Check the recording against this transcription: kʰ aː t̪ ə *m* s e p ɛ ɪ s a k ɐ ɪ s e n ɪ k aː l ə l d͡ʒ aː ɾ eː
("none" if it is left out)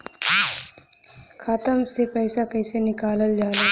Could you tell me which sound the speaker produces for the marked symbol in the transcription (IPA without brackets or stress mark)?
m